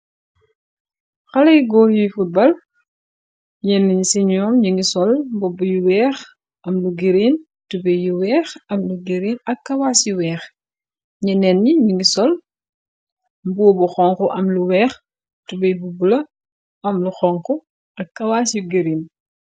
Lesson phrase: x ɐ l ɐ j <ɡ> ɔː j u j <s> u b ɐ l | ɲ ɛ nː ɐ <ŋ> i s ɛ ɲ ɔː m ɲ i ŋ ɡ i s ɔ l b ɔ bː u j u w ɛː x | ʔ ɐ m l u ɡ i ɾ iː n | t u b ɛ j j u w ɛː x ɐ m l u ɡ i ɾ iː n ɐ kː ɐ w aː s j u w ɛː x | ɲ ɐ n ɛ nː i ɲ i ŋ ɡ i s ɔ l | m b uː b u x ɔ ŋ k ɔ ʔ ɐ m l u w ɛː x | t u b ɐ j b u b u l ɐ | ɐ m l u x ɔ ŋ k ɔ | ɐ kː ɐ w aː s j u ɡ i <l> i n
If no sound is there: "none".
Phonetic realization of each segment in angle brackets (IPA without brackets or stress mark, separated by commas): ɡ, f, ɲ, ɾ